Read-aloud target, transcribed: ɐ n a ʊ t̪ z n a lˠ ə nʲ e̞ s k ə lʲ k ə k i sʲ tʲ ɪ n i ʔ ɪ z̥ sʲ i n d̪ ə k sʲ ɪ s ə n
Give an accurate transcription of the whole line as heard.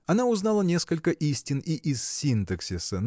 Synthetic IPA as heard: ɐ n a ʊ z n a lˠ ə nʲ e̞ s k ə lʲ k ə ʔ i sʲ tʲ ɪ n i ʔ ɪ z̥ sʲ i n t̪ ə k sʲ ɪ s ə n